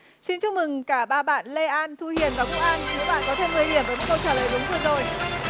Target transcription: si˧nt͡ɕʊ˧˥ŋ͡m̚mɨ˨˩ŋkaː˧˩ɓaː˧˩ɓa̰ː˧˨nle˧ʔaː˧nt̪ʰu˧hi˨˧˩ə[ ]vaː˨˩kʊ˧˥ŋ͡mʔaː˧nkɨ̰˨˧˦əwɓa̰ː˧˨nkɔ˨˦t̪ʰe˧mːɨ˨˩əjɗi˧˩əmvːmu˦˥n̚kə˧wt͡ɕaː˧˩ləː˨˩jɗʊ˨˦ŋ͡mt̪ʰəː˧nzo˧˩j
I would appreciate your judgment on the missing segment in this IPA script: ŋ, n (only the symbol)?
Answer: n